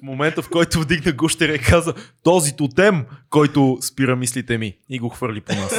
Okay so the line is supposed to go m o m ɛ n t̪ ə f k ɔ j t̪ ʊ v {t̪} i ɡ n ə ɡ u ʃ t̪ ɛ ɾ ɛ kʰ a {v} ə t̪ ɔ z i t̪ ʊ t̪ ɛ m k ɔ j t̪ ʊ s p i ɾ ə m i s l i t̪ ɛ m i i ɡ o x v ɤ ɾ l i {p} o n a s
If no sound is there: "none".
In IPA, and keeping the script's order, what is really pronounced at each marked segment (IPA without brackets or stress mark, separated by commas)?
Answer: d̪, z, p